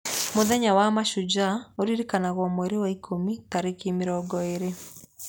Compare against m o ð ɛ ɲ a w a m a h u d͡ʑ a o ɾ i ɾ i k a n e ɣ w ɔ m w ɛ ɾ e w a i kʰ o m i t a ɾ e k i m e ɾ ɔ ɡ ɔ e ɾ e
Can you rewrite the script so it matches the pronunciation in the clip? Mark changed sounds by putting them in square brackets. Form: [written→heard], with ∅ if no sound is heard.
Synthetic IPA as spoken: m o ð ɛ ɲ a w a m a [h→ʃ] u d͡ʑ a o ɾ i ɾ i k a n [e→a] ɣ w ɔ m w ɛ ɾ e w a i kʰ o m i t a ɾ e k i m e ɾ ɔ ɡ ɔ e ɾ e